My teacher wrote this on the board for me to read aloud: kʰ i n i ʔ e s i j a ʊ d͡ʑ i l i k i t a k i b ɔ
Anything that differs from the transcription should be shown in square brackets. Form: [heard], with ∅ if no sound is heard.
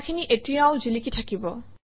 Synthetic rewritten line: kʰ i n i ʔ e [t] i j a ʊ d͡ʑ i l i k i [tʰ] a k i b ɔ